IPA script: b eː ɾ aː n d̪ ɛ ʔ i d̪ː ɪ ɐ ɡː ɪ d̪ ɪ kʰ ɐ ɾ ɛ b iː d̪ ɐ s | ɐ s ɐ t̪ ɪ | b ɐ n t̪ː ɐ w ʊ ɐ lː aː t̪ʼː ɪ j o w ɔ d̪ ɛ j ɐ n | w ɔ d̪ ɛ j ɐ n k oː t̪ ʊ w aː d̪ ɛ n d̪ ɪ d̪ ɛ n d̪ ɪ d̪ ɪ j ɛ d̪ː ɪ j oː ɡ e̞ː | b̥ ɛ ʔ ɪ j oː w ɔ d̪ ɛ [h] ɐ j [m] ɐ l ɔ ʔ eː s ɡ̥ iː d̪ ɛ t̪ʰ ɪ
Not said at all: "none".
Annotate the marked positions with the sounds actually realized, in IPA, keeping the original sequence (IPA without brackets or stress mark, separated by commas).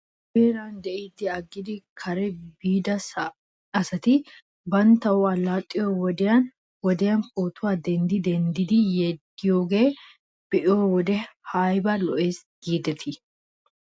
h, b